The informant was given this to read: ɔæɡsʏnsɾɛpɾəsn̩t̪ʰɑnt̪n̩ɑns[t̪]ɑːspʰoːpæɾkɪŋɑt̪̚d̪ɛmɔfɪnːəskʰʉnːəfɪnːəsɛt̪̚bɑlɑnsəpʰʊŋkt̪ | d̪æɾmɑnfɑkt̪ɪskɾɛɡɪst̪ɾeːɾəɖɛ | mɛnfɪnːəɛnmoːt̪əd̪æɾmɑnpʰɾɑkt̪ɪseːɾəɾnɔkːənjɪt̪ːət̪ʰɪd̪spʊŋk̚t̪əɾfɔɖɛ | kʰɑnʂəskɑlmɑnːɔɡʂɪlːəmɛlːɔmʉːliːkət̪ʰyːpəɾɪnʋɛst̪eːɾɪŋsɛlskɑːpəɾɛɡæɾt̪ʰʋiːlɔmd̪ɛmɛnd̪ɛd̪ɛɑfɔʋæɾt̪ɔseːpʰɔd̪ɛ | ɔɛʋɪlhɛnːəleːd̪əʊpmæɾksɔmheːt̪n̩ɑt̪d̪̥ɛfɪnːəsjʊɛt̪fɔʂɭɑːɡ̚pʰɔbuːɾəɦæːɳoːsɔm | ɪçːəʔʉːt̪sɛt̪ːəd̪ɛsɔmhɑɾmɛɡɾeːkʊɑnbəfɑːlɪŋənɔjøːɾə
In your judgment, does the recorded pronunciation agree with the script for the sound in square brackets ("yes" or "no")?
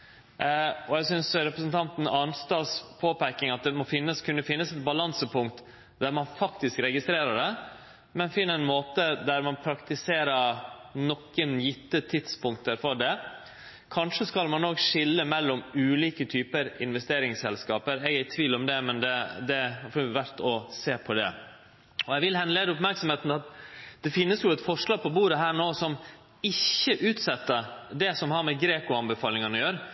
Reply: yes